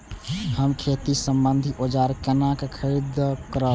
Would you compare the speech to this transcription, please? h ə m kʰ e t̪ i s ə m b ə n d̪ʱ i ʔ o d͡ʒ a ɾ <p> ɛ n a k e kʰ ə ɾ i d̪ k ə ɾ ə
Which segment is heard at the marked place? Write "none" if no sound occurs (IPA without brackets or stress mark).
k